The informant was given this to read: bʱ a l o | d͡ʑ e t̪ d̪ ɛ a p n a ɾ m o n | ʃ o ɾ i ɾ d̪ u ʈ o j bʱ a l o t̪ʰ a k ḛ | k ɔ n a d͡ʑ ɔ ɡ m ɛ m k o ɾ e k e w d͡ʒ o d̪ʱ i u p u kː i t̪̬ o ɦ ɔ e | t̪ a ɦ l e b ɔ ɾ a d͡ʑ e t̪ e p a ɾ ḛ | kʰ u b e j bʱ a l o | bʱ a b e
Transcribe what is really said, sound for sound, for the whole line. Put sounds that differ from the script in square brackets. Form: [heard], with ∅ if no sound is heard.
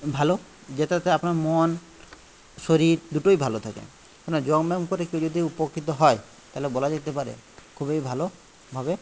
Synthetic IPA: bʱ a l o | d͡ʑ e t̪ [t̪] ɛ a p n a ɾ m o n | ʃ o ɾ i ɾ d̪ u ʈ o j bʱ a l o t̪ʰ a k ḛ | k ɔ n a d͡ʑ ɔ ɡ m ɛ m k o ɾ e k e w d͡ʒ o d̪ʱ i u p [o] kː i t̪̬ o ɦ ɔ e | t̪ a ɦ l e b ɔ [l] a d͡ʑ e t̪ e p a ɾ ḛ | kʰ u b e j bʱ a l o | bʱ a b e